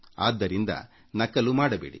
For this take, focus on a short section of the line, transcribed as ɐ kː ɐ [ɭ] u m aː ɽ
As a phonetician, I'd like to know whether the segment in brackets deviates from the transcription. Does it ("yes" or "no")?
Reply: yes